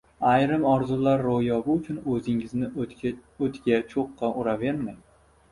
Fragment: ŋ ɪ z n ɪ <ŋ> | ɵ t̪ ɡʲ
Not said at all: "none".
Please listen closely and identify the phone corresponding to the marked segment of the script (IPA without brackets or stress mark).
none